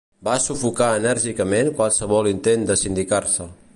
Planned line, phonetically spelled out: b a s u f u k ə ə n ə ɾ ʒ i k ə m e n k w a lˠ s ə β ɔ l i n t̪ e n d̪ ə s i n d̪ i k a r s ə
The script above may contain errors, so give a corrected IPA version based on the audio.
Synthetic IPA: b a s u f u k a ə n ə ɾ ʒ i k ə m e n k w a lˠ s ə β ɔ l i n t̪ e n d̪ ə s i n d̪ i k a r s ə